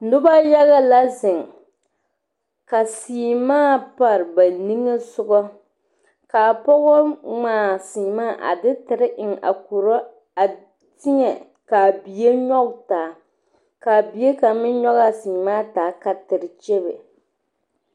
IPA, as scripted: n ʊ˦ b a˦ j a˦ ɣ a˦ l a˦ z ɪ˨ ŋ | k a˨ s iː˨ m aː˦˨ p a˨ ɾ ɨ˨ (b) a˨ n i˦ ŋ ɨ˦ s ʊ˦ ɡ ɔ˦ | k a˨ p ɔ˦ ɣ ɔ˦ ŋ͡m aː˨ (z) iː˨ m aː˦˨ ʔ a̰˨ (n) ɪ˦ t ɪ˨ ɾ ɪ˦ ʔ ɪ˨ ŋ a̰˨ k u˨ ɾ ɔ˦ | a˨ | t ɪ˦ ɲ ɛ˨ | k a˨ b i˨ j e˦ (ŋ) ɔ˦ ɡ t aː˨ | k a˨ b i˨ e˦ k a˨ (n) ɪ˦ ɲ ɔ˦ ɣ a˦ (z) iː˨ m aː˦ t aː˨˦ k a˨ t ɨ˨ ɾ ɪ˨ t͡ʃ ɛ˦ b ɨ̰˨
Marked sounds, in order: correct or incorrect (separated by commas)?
correct, incorrect, incorrect, incorrect, incorrect, incorrect